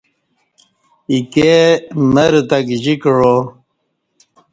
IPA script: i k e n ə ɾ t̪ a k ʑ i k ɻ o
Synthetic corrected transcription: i k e m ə ɾ t̪ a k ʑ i k ɻ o